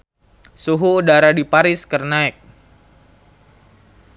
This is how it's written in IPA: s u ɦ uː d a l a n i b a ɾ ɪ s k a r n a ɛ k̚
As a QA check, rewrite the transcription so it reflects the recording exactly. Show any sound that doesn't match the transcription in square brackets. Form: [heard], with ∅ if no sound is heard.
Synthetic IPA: s u ɦ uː d a [ɾ] a [d] i [p] a ɾ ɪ s k [ə] r n a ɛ k̚